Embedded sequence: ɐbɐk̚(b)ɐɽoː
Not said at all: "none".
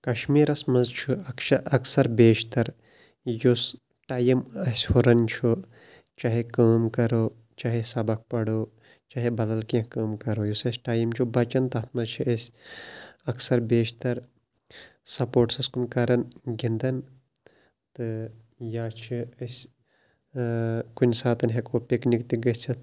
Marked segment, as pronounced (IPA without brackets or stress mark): p